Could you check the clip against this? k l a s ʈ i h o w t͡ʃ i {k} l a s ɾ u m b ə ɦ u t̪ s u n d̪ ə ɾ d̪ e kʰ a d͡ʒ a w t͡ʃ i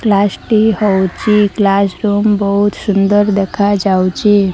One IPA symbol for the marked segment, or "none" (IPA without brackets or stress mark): k